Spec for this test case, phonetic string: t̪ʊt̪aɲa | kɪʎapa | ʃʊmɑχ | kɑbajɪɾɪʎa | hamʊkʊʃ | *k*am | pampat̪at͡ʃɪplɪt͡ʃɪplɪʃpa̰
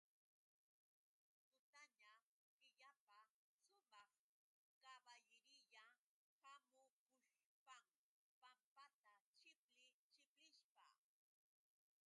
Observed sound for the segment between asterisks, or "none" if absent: p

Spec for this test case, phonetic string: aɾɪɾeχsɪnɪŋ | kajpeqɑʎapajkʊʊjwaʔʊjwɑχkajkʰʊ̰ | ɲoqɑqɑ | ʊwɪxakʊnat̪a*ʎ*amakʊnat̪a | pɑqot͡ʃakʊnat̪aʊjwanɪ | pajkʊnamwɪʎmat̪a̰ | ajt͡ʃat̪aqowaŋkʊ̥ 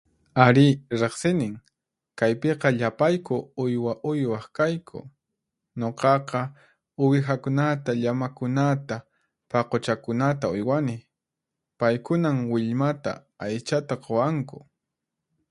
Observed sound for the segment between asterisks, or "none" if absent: ʎ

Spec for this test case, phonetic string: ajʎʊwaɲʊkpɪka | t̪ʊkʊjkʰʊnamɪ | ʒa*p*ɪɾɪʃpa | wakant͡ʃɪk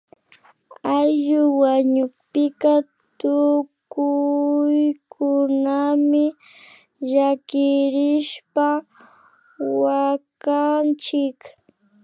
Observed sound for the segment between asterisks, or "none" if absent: k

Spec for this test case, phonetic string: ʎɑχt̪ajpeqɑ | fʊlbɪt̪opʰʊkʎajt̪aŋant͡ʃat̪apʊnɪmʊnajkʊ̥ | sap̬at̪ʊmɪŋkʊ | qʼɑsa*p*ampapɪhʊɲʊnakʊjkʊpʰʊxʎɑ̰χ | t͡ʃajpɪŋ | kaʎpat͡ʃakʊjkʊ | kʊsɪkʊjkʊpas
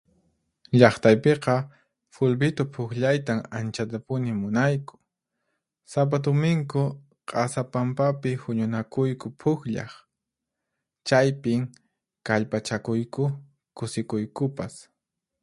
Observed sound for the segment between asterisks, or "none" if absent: p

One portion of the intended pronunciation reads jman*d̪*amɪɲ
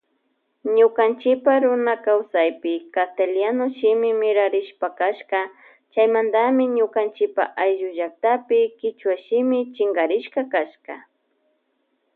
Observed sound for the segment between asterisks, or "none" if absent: d̪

